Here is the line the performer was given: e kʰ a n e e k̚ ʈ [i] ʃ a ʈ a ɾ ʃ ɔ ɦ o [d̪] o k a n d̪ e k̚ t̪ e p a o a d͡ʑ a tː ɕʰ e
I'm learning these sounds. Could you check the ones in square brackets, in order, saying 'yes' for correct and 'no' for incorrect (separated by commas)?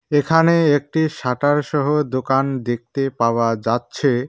yes, yes